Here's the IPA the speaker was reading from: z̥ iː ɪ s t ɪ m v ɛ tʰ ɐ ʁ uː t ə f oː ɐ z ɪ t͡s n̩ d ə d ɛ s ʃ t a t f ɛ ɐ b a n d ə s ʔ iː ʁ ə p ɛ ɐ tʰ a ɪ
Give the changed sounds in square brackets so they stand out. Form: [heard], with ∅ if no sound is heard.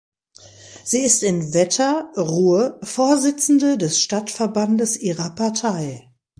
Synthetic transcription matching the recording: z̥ iː ɪ s t ɪ [n] v ɛ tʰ ɐ ʁ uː [∅] ə f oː ɐ z ɪ t͡s n̩ d ə d ɛ s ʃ t a t f ɛ ɐ b a n d ə s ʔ iː ʁ [ɐ] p [a] ɐ tʰ a ɪ